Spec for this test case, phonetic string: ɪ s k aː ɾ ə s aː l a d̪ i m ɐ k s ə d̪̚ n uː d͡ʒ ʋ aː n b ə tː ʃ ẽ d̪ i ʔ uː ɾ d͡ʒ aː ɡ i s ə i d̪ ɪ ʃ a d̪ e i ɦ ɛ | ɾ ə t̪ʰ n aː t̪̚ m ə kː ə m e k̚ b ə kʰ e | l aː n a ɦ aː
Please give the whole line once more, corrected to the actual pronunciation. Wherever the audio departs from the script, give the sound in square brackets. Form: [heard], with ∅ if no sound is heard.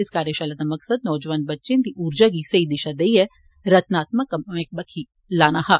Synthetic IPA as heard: ɪ s k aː ɾ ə [ʃ] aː l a d̪ [a] m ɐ k s ə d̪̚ n [ɔː] d͡ʒ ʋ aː n b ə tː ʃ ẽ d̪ i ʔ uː ɾ d͡ʒ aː ɡ i s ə i d̪ ɪ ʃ a d̪ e i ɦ ɛ | ɾ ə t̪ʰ n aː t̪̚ m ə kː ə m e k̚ b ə kʰ [i] | l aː n a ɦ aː

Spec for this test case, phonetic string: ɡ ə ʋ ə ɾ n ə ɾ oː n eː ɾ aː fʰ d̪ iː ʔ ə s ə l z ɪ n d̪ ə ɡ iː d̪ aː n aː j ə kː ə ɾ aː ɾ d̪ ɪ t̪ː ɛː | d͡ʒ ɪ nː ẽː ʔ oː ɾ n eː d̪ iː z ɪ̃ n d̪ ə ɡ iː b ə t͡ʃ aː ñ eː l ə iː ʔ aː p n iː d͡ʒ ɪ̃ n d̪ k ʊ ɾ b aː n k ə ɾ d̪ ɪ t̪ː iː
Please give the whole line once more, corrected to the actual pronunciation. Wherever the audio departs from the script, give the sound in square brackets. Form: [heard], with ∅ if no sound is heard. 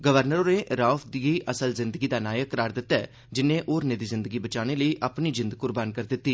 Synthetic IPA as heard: ɡ ə ʋ ə ɾ n ə ɾ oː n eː ɾ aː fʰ d̪ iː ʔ ə s ə l z ɪ n d̪ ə ɡ iː d̪ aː n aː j ə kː ə ɾ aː ɾ d̪ ɪ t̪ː ɛː | d͡ʒ ɪ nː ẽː ʔ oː ɾ n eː d̪ iː z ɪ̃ n d̪ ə ɡ iː b ə t͡ʃ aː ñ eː l ə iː ʔ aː p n iː d͡ʒ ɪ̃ n d̪ k ʊ ɾ b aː n k ə ɾ d̪ ɪ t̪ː iː

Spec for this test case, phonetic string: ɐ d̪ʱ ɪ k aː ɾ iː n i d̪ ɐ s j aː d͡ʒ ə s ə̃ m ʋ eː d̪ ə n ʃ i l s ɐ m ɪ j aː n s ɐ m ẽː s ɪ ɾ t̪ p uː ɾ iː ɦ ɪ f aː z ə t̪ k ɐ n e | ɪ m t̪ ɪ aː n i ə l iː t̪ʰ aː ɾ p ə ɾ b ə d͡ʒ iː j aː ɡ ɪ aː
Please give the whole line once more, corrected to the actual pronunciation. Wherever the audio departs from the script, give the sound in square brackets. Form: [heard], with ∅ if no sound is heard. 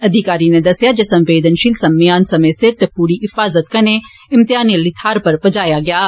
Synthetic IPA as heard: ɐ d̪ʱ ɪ k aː ɾ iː n [e] d̪ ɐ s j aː d͡ʒ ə s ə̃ m ʋ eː d̪ ə n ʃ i l s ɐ m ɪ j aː n s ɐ m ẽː s ɪ ɾ t̪ p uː ɾ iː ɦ ɪ f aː z ə t̪ k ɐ n e | ɪ m t̪ ɪ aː n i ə l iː t̪ʰ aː ɾ p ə ɾ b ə d͡ʒ [aː] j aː ɡ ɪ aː

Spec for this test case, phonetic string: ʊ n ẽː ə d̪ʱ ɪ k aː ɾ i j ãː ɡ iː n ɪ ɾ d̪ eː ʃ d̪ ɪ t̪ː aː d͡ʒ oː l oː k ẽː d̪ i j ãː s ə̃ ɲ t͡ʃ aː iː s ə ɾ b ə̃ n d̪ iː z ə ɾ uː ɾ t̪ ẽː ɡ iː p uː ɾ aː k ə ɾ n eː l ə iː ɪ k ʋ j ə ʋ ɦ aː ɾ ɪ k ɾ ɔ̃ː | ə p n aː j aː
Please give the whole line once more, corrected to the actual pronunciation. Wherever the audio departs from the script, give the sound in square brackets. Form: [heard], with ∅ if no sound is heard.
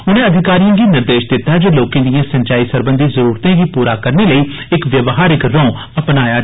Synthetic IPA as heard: ʊ n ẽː ə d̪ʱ ɪ k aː ɾ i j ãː ɡ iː n ɪ ɾ d̪ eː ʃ d̪ ɪ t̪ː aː d͡ʒ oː l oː k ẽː d̪ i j ãː s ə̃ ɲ t͡ʃ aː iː s ə ɾ b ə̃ n d̪ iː z ə ɾ uː ɾ t̪ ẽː ɡ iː p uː ɾ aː k ə ɾ n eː l ə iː ɪ k ʋ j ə ʋ ɦ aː ɾ ɪ k ɾ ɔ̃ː | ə p n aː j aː

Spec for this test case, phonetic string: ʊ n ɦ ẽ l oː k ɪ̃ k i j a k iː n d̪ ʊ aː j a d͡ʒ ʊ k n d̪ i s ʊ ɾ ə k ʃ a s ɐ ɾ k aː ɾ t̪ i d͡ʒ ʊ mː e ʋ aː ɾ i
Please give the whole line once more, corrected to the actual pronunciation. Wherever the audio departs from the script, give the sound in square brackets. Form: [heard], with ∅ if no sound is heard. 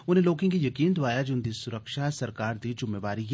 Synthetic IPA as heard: ʊ n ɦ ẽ l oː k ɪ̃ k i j [ɐ] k iː n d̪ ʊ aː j a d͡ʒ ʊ [∅] n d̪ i s ʊ ɾ ə k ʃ a s ɐ ɾ k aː ɾ [d̪] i d͡ʒ ʊ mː e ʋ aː ɾ i

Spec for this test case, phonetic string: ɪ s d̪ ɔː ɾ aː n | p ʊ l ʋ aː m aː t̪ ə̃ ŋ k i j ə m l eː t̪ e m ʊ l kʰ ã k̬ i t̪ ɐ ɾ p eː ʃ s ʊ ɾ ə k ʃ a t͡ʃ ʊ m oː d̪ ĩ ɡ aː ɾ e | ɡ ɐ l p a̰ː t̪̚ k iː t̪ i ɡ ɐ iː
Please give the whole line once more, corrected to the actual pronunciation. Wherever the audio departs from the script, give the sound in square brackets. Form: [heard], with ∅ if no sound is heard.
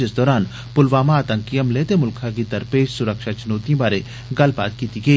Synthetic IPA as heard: ɪ s d̪ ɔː ɾ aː n | p ʊ l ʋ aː m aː t̪ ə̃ ŋ k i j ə m l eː t̪ e m ʊ l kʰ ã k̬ i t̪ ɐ ɾ p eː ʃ s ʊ ɾ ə k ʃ a t͡ʃ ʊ [n] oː [t̪] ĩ [b] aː ɾ e | ɡ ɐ l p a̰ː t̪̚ k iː t̪ i ɡ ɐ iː

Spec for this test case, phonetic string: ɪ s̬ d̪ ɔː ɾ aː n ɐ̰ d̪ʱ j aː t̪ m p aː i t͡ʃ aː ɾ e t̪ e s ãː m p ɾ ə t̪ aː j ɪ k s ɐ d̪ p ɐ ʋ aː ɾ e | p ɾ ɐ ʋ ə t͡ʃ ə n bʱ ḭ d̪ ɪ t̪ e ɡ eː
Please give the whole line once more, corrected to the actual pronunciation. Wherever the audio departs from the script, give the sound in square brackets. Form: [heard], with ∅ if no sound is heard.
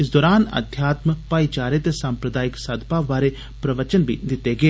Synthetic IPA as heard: ɪ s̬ d̪ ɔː ɾ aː n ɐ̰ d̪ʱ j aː t̪ m p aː i t͡ʃ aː ɾ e t̪ e s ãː m p ɾ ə [d̪] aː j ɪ k s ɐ d̪ p [a] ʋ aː ɾ e | p ɾ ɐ ʋ ə t͡ʃ ə n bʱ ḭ d̪ ɪ t̪ e ɡ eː

